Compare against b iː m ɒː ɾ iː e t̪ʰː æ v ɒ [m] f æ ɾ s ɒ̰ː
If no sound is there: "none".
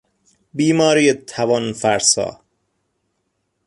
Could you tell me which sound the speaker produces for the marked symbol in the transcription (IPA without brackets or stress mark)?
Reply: n